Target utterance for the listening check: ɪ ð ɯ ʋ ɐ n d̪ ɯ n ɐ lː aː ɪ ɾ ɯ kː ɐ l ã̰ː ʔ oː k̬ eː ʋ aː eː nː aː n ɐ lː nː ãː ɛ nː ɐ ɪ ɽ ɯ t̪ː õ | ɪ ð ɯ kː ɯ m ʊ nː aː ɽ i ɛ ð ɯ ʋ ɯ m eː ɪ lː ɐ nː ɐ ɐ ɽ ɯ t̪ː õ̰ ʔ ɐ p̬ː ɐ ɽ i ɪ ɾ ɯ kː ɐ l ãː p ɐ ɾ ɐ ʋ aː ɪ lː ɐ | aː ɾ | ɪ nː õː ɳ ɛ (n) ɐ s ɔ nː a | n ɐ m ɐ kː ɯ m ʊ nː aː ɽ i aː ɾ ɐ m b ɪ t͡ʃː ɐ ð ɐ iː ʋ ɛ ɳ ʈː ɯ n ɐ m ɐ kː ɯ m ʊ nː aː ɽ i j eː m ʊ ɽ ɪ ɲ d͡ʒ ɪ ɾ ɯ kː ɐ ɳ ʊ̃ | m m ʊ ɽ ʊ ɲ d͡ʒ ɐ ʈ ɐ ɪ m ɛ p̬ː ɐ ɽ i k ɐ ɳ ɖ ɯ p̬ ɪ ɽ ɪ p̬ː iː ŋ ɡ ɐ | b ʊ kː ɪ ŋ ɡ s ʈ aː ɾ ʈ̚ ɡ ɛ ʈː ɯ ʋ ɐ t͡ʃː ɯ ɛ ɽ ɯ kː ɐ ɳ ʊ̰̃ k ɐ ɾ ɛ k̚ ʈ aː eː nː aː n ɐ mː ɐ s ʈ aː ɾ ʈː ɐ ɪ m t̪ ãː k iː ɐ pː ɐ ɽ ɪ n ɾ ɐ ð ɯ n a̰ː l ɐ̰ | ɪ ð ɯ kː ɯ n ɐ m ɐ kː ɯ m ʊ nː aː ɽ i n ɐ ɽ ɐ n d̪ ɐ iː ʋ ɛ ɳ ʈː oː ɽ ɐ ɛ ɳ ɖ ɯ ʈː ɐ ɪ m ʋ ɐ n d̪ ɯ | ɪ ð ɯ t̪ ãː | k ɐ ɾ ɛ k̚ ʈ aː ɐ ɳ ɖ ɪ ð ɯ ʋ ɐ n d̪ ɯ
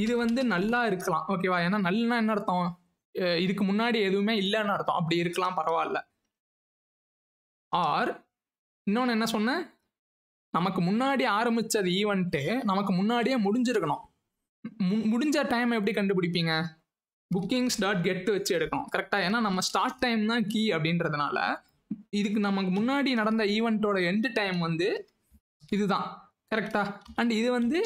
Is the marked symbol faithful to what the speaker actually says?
no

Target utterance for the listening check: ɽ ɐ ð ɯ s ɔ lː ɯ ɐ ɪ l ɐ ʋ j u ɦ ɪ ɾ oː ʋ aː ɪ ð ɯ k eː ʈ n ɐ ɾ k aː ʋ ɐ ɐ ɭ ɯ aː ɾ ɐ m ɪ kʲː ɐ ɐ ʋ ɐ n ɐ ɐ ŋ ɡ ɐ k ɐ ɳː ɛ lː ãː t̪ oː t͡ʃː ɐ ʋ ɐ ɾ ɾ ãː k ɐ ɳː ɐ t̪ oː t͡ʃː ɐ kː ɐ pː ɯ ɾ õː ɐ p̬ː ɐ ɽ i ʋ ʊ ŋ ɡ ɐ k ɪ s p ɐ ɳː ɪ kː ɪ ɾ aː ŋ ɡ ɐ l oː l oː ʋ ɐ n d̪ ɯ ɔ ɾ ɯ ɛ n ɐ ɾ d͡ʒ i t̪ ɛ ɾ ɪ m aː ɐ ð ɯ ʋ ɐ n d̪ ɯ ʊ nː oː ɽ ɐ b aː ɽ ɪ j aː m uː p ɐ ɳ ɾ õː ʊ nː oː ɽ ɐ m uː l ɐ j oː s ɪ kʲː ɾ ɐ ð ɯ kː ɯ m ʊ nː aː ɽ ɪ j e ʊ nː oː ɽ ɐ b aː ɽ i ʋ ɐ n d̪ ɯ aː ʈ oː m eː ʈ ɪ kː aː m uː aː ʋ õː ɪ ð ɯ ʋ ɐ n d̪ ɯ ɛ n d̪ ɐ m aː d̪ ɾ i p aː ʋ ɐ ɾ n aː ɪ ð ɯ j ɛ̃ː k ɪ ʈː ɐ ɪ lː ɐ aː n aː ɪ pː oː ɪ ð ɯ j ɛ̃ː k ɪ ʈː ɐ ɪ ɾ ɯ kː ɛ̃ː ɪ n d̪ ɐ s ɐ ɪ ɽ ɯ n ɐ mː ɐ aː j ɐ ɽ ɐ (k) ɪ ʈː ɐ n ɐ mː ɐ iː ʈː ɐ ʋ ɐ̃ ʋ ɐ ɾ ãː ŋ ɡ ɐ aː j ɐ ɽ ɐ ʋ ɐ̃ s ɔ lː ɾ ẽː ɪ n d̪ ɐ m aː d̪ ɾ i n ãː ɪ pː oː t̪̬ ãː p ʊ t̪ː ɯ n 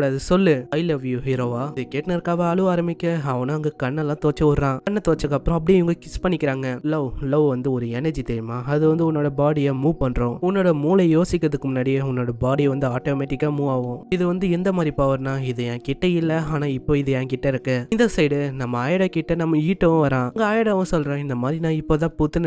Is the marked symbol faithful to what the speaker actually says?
yes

